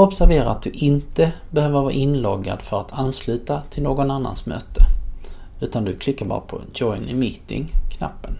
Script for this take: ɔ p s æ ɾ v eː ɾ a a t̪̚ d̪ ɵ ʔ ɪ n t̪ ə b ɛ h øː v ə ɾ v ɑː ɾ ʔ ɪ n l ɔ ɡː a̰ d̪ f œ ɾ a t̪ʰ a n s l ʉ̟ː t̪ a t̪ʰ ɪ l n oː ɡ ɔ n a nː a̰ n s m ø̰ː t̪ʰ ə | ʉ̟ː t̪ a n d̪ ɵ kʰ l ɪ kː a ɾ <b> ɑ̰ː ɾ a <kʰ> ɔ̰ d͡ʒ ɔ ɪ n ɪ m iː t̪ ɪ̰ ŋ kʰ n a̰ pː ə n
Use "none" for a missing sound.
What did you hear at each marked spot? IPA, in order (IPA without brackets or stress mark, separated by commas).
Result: b, pʰ